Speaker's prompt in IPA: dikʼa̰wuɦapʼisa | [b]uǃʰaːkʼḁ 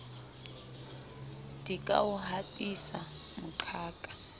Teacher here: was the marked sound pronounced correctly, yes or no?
no